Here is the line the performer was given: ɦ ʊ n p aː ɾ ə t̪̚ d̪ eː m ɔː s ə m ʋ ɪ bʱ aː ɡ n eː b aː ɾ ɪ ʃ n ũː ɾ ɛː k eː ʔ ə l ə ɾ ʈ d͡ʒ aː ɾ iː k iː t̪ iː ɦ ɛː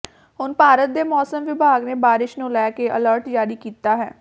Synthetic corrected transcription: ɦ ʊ n p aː ɾ ə t̪̚ d̪ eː m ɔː s ə m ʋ ɪ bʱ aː ɡ n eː b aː ɾ ɪ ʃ n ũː l ɛː k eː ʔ ə l ə ɾ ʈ d͡ʒ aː ɾ iː k iː t̪ aː ɦ ɛː